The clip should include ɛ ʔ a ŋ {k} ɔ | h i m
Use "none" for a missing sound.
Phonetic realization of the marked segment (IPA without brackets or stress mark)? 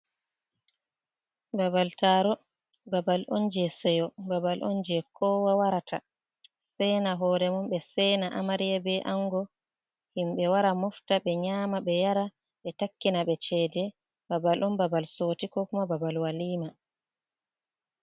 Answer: ɡ